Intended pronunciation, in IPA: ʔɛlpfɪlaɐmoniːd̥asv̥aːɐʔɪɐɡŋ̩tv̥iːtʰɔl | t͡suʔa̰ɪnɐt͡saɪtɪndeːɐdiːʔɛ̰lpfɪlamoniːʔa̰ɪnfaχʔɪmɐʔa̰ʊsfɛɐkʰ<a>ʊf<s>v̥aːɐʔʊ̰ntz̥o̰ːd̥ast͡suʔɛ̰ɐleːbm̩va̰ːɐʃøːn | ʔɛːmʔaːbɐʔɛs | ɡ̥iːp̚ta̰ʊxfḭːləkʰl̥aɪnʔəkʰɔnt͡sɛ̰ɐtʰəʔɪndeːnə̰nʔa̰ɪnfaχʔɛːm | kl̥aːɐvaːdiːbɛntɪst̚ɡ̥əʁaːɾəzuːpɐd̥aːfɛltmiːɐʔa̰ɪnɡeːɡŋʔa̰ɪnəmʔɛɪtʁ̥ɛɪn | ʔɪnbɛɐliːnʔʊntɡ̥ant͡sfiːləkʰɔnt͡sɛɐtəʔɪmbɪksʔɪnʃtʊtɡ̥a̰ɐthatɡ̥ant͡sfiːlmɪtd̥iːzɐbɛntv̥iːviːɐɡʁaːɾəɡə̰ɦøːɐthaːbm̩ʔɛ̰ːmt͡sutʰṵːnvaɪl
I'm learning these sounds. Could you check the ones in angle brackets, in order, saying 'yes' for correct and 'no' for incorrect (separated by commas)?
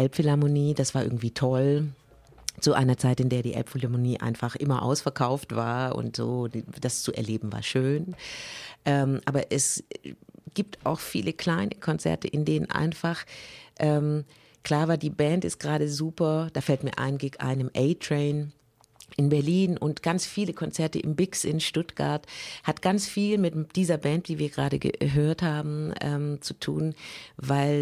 yes, no